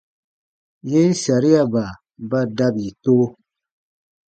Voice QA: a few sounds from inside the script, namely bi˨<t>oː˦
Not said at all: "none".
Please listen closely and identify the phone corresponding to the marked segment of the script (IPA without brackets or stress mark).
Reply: t